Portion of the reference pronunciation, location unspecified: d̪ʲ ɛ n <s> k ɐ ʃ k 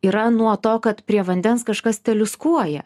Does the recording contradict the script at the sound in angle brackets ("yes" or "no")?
no